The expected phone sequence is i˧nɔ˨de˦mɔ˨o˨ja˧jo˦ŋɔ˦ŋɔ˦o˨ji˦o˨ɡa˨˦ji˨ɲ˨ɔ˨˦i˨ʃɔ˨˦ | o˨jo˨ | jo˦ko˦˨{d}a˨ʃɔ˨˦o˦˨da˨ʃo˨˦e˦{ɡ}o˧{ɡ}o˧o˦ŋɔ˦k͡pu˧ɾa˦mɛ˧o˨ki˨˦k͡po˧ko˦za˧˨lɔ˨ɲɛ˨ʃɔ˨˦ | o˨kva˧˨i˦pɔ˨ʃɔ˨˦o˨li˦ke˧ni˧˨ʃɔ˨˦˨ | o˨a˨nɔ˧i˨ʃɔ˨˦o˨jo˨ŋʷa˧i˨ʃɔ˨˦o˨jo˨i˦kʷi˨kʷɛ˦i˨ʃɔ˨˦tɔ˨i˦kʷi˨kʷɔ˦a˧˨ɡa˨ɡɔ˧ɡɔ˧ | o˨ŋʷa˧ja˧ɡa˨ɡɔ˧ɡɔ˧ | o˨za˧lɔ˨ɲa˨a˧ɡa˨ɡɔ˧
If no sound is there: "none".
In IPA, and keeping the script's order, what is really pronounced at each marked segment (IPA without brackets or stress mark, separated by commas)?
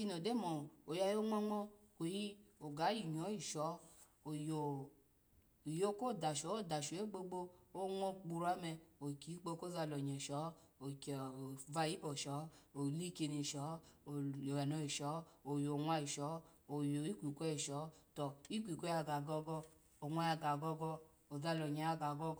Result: d, ɡ͡b, ɡ͡b